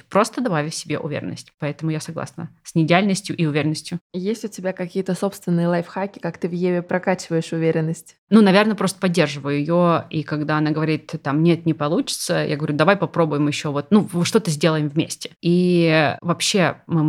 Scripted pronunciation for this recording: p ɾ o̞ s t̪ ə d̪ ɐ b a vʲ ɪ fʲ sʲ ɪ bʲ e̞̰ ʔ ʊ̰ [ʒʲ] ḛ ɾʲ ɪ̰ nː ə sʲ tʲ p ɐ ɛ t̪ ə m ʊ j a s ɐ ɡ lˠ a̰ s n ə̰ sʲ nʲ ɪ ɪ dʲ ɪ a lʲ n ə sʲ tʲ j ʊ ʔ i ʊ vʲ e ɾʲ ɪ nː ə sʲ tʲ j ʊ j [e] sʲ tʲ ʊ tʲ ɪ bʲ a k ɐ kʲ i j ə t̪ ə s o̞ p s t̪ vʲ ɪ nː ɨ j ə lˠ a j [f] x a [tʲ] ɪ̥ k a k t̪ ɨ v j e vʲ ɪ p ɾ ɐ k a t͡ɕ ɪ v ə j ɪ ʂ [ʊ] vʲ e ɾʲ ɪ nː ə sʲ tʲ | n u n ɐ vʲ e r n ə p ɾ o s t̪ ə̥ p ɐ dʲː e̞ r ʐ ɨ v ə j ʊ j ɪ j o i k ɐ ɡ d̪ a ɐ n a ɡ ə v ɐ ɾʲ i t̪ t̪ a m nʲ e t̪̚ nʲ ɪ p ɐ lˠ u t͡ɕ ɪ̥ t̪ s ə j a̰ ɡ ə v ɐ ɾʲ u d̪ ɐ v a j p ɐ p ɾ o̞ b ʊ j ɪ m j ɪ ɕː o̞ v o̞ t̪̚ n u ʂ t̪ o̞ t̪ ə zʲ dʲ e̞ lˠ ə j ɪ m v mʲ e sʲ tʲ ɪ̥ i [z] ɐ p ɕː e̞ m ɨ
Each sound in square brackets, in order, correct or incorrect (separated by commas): incorrect, correct, correct, incorrect, correct, incorrect